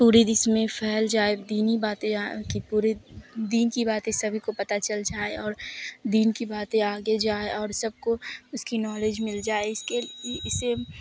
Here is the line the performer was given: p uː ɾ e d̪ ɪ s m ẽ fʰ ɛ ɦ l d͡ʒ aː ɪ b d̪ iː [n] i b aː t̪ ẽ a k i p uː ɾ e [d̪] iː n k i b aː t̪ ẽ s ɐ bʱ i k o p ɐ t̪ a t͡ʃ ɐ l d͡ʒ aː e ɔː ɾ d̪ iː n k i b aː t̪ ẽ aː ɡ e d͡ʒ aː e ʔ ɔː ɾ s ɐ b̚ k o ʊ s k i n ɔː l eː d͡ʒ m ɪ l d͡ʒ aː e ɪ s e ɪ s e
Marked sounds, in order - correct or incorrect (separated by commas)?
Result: correct, correct